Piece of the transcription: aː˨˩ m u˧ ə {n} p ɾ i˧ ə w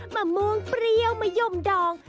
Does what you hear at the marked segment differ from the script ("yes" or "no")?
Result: yes